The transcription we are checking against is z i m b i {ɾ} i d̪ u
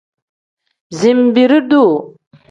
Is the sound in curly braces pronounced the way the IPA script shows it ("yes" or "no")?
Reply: yes